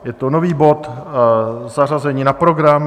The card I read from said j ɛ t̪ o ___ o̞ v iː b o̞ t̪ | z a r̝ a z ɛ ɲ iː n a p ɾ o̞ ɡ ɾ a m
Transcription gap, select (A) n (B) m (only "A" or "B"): A